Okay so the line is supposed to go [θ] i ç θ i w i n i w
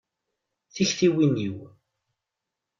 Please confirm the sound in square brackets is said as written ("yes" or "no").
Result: yes